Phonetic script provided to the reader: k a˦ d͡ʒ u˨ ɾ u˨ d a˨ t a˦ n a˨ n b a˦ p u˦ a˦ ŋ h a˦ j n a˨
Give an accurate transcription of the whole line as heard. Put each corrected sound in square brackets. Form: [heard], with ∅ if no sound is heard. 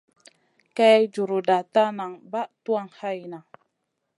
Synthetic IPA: k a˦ d͡ʒ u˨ ɾ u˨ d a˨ t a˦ n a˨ [ŋ] b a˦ [t] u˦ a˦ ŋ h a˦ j n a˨